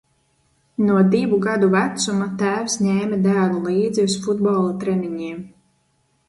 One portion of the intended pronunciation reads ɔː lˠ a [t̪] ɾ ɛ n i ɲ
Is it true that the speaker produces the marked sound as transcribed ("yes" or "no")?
yes